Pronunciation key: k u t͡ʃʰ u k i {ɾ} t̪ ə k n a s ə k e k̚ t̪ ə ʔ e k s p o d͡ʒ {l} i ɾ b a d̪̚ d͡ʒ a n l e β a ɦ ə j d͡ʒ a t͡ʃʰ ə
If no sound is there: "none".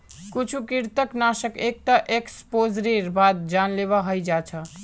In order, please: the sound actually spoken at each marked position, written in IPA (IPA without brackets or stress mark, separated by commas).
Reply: ɾ, ɾ